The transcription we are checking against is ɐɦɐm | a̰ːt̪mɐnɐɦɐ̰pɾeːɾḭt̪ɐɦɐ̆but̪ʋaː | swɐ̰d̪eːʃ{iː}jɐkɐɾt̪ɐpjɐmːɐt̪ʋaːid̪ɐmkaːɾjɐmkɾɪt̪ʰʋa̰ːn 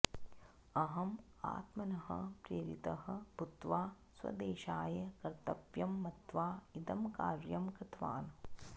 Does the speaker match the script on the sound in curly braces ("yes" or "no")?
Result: no